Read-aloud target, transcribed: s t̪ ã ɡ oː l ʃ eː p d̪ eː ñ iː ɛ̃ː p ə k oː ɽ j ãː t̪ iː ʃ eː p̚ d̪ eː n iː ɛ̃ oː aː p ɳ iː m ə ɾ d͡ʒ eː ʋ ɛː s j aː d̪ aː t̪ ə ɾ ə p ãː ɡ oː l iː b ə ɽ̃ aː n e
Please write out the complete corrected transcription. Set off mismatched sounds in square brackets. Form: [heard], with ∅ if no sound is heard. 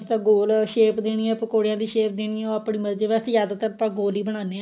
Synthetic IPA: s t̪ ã ɡ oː l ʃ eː p d̪ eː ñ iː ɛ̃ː p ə k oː ɽ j ãː [d̪] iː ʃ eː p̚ d̪ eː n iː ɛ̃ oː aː p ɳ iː m ə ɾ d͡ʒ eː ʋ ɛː s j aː d̪ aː t̪ ə ɾ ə p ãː ɡ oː l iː b ə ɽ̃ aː n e